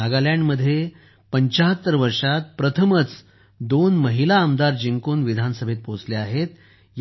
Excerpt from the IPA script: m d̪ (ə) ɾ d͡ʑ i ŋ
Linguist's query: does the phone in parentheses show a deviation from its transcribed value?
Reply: yes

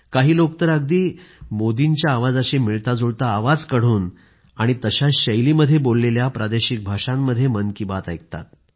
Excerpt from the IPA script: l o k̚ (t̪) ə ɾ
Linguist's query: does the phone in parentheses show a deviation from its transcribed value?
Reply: no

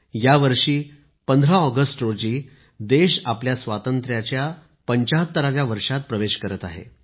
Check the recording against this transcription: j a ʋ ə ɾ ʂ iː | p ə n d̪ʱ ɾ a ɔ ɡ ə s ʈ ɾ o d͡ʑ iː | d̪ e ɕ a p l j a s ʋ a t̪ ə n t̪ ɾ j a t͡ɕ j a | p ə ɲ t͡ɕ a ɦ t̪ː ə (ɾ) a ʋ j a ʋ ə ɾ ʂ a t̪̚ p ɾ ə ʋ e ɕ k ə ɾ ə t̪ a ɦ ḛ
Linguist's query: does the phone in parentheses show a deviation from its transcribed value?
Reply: no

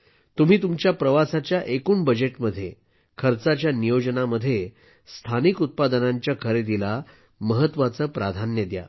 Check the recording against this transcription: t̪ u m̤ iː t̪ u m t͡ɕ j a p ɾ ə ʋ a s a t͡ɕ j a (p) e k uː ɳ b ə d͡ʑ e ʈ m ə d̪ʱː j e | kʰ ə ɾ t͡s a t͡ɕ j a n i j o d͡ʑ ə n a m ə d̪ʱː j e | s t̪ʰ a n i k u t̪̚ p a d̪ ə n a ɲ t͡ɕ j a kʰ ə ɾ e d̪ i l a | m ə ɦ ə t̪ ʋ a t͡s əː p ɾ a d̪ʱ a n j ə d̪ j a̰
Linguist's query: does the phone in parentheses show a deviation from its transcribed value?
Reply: yes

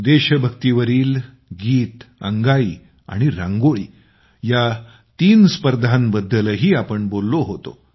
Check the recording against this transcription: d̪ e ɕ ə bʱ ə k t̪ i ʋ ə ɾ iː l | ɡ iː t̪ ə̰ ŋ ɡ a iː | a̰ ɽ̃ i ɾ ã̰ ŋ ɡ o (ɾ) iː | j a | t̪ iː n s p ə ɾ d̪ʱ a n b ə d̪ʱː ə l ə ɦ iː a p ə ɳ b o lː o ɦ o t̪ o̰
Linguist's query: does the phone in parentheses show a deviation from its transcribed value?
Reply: yes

